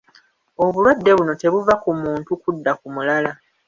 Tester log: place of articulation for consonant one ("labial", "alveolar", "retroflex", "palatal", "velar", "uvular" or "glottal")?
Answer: labial